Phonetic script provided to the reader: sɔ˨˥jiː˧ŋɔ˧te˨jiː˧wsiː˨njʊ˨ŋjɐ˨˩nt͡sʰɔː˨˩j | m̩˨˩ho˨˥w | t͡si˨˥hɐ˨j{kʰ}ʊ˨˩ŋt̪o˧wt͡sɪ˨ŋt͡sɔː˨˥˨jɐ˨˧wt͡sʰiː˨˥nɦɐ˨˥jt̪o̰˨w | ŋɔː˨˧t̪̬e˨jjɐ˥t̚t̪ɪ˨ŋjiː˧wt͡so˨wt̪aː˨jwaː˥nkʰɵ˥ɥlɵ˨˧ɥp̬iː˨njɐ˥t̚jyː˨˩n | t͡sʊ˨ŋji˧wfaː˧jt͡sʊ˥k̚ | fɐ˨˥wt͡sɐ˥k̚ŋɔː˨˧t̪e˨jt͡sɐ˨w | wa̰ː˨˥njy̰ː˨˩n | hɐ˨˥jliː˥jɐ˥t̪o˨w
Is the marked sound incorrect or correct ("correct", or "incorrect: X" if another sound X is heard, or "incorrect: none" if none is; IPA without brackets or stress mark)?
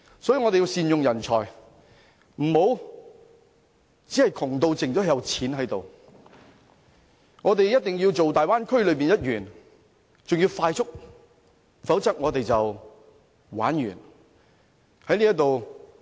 correct